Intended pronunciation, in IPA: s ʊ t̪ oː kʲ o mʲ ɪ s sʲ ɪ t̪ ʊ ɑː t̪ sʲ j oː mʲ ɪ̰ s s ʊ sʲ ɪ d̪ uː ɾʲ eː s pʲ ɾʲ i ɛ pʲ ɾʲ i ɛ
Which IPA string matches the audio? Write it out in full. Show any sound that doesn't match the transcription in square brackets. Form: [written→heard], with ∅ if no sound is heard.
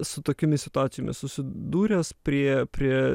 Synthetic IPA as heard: s ʊ t̪ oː kʲ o mʲ ɪ s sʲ ɪ t̪ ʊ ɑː t̪ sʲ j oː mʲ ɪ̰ s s ʊ sʲ ɪ d̪ uː ɾʲ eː s pʲ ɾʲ i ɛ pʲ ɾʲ i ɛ